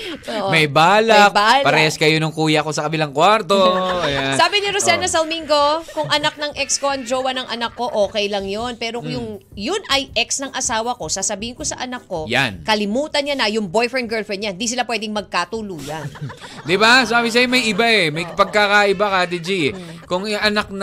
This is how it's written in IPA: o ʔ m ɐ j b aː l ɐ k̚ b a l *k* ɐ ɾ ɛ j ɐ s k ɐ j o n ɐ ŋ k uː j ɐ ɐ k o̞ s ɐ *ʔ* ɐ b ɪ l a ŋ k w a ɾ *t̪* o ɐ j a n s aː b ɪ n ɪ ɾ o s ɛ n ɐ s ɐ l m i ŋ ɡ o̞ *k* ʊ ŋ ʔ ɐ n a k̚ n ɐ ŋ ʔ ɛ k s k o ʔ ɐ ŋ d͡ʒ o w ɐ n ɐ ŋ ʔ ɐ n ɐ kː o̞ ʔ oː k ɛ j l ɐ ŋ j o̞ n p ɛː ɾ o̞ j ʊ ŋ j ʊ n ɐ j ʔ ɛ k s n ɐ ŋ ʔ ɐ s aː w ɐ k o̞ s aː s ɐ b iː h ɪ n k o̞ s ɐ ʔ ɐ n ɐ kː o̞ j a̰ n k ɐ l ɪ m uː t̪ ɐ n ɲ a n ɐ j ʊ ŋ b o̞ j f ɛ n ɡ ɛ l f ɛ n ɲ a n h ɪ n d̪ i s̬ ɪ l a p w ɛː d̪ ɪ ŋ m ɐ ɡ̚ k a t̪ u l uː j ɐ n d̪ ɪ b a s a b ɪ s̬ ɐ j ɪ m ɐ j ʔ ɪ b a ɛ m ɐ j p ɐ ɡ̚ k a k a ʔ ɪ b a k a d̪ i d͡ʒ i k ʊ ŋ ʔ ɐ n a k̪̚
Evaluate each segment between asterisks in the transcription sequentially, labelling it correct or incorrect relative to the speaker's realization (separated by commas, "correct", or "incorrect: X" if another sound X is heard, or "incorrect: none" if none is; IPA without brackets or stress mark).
incorrect: p, incorrect: k, correct, correct